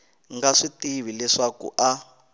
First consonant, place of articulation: velar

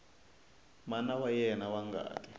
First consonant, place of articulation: labial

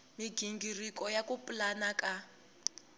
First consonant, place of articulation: labial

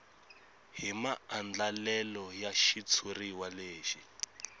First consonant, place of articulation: glottal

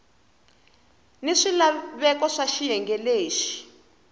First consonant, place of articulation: alveolar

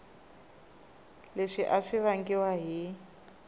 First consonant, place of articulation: alveolar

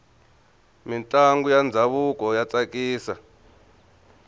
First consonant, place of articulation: labial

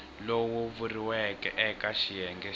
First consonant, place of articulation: alveolar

